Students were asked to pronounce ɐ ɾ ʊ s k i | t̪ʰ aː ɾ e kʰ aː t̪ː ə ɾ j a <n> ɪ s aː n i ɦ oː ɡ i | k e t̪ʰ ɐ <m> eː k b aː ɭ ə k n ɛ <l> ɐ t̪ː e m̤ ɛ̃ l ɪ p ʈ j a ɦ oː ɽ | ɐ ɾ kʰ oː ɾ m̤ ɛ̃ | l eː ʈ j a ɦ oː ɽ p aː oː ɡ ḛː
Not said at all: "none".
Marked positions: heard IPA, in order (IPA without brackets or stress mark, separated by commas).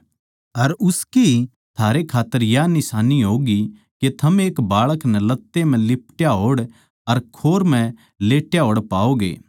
n, m, l